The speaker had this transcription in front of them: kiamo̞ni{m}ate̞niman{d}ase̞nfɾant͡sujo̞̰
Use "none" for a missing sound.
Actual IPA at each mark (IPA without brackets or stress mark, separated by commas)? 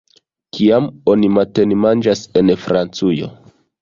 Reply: m, d͡ʒ